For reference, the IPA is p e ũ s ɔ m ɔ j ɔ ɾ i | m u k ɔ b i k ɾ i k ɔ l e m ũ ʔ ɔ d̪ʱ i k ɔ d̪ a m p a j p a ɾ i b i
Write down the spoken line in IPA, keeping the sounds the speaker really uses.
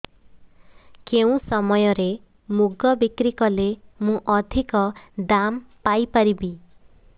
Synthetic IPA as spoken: k e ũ s ɔ m ɔ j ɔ ɾ e | m u ɡ ɔ b i k ɾ i k ɔ l e m ũ ʔ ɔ d̪ʱ i k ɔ d̪ a m p a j p a ɾ i b i